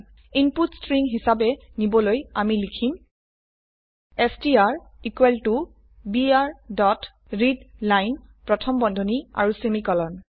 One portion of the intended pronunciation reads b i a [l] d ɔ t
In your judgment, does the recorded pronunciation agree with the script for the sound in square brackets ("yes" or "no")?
no